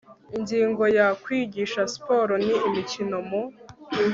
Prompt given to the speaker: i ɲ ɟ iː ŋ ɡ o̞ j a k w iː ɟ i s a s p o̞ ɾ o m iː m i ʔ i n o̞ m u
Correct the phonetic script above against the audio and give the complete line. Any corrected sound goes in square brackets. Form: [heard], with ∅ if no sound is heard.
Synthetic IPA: i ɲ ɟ iː ŋ ɡ o̞ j a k w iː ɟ i [ʃ] a s p o̞ ɾ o [n] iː m i [c] i n o̞ m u